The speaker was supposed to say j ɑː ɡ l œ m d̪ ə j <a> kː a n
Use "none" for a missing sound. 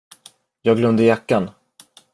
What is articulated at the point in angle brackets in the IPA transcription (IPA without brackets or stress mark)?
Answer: a